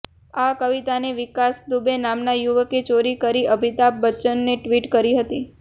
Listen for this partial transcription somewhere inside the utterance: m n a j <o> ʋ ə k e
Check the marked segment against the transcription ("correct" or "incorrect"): incorrect